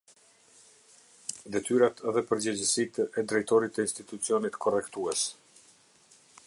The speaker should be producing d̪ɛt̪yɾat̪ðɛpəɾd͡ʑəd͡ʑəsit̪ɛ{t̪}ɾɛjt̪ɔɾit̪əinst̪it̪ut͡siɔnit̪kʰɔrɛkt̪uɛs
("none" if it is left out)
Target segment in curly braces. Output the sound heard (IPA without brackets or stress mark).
d̪